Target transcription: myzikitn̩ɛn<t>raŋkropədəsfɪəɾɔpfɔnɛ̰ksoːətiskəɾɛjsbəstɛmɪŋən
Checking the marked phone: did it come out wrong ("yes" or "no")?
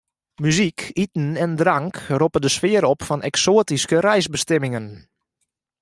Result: yes